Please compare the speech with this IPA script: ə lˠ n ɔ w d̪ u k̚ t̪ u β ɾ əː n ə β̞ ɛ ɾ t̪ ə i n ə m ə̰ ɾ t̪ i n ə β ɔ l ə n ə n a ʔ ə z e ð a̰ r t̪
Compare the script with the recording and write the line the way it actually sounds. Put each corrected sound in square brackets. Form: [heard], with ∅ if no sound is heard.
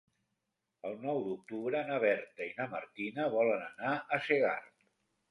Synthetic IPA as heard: ə lˠ n ɔ w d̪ u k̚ t̪ u β ɾ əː n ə β̞ ɛ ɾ t̪ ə i n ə m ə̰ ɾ t̪ i n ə β ɔ l ə n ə n a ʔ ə [s] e [ɣ] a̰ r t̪